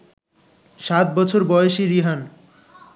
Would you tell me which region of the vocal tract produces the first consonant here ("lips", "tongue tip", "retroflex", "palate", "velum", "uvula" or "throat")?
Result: tongue tip